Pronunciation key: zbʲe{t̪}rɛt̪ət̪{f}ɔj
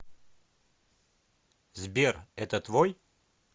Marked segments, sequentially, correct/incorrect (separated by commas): incorrect, incorrect